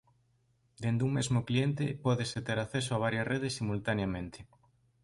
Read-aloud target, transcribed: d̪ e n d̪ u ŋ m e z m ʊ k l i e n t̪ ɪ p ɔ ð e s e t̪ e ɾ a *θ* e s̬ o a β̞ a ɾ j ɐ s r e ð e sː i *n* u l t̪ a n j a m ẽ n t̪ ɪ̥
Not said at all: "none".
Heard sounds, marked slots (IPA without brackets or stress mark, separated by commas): θ, m